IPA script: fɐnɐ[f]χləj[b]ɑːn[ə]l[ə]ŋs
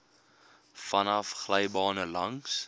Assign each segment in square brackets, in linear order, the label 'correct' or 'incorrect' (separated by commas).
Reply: correct, correct, correct, incorrect